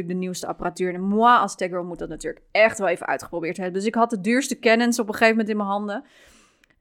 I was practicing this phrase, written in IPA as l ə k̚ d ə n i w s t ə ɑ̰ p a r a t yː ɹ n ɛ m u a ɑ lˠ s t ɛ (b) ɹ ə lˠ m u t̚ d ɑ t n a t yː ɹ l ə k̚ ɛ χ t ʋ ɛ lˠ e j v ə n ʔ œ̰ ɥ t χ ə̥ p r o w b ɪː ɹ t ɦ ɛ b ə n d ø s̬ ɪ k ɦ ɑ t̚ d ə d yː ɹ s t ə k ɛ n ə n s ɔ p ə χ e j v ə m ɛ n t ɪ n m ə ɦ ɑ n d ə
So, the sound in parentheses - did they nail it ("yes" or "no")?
no